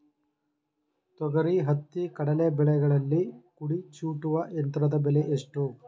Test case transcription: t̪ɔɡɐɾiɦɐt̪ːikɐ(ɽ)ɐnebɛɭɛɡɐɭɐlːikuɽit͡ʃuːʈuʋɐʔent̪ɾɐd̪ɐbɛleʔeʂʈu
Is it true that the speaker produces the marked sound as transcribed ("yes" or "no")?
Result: yes